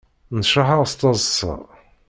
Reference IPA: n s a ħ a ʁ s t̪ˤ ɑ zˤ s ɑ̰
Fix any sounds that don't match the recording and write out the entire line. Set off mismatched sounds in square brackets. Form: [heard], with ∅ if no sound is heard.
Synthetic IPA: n [ʃ] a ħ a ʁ s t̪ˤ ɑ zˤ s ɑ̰